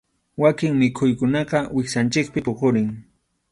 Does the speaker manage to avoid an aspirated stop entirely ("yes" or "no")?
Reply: no